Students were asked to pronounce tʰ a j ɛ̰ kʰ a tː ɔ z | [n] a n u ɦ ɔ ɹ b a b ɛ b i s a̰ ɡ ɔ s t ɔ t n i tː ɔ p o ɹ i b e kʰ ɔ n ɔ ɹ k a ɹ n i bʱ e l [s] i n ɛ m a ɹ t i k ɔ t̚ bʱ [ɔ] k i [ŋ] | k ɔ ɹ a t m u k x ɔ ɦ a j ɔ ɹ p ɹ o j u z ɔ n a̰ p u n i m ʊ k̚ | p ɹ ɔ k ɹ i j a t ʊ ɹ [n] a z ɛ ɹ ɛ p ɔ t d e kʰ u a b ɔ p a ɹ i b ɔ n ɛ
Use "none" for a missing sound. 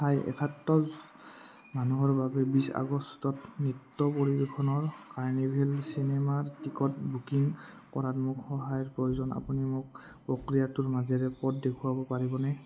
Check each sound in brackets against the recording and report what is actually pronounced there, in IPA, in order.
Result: m, s, u, ŋ, m

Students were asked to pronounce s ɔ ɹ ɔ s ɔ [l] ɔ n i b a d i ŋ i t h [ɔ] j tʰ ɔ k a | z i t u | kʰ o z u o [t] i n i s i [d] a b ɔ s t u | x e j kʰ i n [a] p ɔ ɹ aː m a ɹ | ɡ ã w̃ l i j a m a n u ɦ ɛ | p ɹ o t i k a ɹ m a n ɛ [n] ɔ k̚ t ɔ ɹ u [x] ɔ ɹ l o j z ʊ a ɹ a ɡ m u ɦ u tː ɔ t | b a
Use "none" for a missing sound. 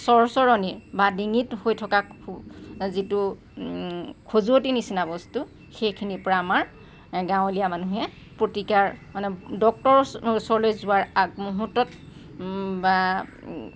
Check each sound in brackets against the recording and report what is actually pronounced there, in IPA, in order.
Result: ɹ, o, t, n, i, d, s

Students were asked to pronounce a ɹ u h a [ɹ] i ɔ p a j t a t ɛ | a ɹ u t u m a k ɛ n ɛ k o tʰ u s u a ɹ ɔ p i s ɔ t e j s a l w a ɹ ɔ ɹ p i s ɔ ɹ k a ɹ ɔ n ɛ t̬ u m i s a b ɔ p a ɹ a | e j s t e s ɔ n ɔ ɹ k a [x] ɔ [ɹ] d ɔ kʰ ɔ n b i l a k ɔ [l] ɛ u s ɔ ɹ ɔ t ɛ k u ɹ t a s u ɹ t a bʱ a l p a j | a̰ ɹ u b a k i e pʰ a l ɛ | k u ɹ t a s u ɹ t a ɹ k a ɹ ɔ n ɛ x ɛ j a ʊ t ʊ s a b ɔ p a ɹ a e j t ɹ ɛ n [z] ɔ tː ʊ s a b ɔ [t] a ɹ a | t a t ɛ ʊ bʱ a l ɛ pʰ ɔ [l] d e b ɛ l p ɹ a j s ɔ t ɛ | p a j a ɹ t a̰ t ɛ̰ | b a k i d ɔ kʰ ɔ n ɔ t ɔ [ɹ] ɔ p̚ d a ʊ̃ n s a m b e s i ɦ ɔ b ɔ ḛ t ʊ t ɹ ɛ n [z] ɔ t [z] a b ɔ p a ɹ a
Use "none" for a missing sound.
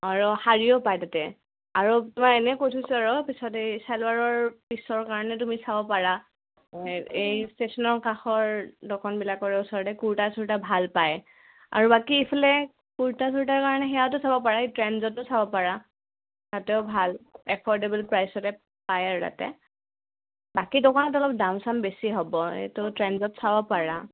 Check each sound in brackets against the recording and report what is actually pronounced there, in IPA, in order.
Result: ɹ, x, ɹ, ɹ, z, p, ɹ, l, z, s

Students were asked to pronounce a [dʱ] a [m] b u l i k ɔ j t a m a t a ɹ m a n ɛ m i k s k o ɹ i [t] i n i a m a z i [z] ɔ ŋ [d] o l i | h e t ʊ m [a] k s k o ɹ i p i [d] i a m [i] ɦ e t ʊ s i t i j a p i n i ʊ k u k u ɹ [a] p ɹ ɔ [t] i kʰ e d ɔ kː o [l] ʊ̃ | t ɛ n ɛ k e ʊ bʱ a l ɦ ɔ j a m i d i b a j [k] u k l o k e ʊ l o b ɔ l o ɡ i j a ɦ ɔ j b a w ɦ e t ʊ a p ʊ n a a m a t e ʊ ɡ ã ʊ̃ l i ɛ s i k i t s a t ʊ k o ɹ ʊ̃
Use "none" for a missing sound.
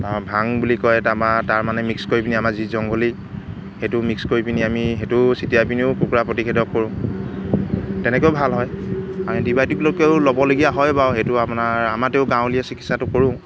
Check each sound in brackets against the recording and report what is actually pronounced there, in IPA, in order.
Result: bʱ, ŋ, p, z, ɡ, i, n, i, a, t, ɹ, t

